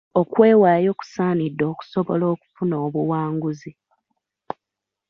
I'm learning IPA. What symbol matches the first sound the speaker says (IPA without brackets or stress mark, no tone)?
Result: o̞